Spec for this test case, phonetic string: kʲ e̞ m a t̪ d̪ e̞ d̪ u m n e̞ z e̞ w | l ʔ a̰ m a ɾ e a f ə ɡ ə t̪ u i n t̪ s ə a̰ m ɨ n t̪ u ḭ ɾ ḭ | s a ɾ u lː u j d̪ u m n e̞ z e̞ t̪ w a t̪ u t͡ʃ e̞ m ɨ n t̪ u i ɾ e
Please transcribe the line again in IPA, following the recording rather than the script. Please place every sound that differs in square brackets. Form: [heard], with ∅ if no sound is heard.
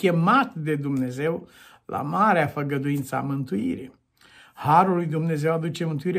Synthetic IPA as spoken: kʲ e̞ m a t̪ d̪ e̞ d̪ u m n e̞ z e̞ w | l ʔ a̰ m a ɾ e a f ə ɡ ə [d̪] u i n t̪ s ə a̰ m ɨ n t̪ u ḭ ɾ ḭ | [h] a ɾ u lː u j d̪ u m n e̞ z e̞ [∅] w a [d̪] u t͡ʃ e̞ m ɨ n t̪ u i ɾ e